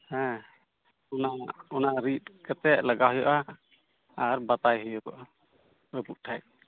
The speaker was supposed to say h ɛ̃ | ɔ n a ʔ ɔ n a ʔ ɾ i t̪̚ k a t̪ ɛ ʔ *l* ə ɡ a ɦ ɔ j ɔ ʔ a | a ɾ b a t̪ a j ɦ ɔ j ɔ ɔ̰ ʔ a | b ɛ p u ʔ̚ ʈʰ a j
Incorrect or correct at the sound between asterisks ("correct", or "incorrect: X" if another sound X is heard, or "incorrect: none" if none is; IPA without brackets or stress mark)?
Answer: correct